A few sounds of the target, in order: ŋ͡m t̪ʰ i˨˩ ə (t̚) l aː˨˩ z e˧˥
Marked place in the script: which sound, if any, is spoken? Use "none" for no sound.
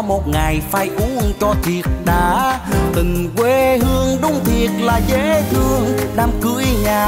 t̚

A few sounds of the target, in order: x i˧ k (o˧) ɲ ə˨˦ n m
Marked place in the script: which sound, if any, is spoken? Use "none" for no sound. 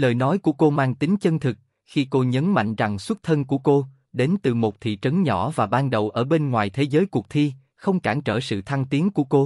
o˧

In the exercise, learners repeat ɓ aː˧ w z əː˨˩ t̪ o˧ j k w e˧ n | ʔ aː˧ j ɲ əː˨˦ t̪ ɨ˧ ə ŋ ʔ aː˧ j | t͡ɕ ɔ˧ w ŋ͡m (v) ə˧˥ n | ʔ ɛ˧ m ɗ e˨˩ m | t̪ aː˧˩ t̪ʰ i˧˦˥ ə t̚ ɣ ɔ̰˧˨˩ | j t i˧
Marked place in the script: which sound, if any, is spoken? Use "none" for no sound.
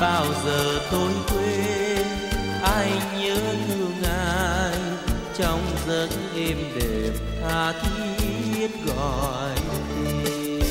z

